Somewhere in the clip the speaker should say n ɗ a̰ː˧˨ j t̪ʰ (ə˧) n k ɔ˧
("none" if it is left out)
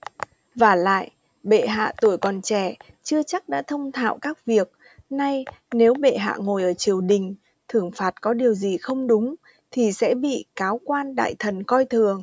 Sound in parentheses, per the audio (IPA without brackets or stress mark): ə˨˩